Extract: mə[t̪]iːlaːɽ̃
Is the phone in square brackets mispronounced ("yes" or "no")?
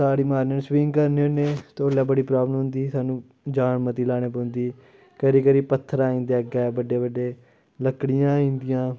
no